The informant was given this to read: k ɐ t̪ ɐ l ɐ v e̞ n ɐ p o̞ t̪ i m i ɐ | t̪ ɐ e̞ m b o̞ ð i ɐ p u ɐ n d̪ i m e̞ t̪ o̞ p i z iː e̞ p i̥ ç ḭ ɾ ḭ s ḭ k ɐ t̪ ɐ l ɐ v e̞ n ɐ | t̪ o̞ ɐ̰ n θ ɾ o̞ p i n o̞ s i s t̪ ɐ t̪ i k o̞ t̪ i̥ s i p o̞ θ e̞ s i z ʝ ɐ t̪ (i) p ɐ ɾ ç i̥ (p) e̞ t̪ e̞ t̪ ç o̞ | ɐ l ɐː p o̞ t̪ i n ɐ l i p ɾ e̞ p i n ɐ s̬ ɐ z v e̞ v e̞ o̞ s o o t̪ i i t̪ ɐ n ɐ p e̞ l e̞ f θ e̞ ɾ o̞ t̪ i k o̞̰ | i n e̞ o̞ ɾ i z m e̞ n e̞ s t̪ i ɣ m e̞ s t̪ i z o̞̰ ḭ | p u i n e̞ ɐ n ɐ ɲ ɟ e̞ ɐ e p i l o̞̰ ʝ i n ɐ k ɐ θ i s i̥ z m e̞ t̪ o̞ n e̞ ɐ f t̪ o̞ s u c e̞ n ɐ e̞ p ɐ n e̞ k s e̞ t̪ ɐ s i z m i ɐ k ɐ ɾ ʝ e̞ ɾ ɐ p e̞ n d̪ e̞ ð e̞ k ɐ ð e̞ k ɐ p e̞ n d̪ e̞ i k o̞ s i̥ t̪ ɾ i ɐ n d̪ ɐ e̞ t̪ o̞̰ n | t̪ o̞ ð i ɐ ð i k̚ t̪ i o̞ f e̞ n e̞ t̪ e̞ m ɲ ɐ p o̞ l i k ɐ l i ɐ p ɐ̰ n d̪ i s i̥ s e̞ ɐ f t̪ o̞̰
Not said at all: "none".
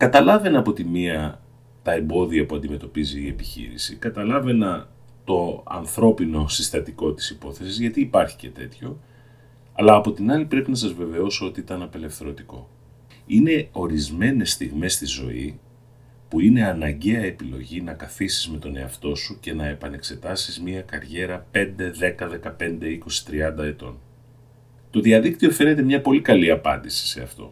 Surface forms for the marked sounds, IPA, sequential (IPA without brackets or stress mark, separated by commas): iː, c